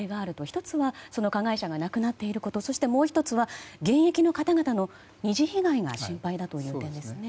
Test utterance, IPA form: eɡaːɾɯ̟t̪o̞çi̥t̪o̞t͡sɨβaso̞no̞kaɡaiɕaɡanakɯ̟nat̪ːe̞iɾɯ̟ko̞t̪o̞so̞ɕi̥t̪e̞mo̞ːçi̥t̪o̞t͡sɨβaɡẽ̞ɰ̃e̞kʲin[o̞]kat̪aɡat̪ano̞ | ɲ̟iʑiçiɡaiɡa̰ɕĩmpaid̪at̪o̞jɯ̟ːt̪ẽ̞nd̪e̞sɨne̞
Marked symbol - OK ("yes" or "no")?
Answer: yes